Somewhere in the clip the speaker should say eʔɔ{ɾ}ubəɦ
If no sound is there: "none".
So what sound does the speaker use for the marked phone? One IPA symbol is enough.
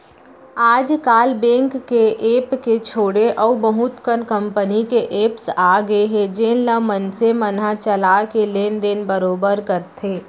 none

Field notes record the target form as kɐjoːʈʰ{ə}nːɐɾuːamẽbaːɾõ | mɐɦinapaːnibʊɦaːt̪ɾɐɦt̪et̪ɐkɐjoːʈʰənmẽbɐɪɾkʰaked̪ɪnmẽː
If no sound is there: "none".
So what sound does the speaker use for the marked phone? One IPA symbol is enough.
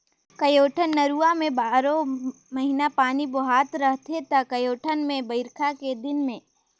ə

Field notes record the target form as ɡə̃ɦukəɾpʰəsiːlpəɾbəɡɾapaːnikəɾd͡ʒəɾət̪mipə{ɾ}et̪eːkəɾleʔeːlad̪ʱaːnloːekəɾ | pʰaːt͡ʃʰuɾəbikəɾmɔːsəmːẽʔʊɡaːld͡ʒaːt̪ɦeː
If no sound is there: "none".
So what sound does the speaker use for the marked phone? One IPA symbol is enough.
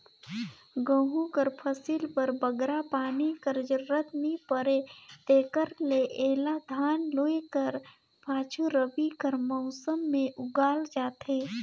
ɾ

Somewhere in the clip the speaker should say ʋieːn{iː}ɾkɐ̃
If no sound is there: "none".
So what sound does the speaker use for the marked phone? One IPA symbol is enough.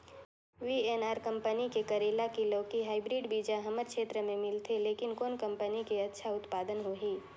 aː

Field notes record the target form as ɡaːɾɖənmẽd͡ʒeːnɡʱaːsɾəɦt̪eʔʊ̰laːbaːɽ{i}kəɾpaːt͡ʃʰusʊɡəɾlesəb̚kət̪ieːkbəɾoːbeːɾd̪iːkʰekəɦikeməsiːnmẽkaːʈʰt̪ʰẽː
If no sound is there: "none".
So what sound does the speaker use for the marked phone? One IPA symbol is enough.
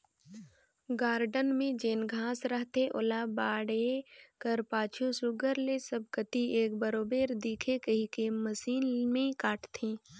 e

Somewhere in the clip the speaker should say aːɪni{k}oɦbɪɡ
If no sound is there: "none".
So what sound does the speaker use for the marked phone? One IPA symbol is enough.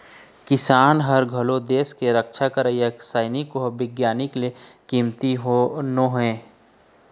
k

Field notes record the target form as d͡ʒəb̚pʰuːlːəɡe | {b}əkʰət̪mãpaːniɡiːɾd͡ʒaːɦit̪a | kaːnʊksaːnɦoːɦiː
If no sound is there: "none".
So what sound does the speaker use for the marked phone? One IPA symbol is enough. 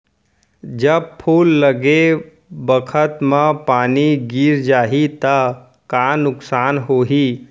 b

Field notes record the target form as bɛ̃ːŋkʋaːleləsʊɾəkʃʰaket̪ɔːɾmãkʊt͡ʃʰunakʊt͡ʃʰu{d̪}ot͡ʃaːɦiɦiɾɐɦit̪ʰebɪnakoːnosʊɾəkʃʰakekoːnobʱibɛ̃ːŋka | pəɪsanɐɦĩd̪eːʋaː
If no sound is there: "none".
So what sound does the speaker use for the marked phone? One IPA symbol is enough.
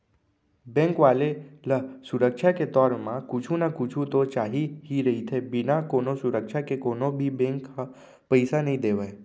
t̪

